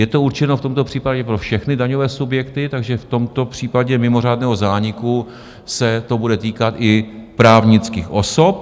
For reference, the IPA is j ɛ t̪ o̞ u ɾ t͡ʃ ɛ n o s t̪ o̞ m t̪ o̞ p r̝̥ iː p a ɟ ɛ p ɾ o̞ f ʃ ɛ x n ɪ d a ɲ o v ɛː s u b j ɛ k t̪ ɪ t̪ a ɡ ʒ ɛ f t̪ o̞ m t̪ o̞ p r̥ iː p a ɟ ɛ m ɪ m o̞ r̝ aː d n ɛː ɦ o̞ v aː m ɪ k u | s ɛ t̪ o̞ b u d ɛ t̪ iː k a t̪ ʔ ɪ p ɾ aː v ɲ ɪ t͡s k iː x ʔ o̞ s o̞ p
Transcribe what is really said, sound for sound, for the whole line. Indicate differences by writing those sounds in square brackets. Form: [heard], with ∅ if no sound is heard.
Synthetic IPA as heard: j ɛ t̪ o̞ u ɾ t͡ʃ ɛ n o [f] t̪ o̞ m t̪ o̞ p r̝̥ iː p a ɟ ɛ p ɾ o̞ f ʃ ɛ x n ɪ d a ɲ o v ɛː s u b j ɛ k t̪ ɪ t̪ a ɡ ʒ ɛ f t̪ o̞ m t̪ o̞ p r̥ iː p a ɟ ɛ m ɪ m o̞ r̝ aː d n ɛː ɦ o̞ [z] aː [ɲ] ɪ k u | s ɛ t̪ o̞ b u d ɛ t̪ iː k a t̪ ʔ ɪ p ɾ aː v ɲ ɪ t͡s k iː x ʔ o̞ s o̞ p